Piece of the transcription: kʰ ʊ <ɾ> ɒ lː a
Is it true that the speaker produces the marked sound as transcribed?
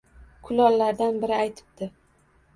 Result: no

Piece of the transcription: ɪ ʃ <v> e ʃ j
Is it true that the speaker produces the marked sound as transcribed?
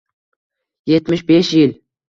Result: no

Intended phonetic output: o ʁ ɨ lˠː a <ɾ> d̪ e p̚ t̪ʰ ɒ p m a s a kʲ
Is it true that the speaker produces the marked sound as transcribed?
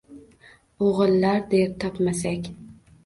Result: yes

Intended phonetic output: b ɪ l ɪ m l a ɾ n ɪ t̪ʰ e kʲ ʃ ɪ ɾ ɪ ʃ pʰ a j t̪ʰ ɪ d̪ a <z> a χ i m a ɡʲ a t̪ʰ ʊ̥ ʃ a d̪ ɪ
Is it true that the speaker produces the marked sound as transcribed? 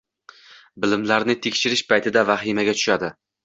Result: no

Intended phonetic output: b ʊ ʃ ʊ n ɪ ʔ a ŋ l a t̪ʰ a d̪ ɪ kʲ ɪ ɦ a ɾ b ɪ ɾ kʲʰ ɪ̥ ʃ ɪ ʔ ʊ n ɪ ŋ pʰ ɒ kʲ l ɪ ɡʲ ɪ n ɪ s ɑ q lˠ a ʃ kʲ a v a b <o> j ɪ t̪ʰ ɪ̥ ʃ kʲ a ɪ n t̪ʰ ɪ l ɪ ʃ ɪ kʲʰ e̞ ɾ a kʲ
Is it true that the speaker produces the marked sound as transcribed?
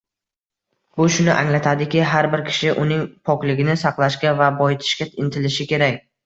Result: no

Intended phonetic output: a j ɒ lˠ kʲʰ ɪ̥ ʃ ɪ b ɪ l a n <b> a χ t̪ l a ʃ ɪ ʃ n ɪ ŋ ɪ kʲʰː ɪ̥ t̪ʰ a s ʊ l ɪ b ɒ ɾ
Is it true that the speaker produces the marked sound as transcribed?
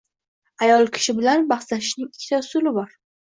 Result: yes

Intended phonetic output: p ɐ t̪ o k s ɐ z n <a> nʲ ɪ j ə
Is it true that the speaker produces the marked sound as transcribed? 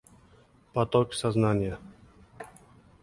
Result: yes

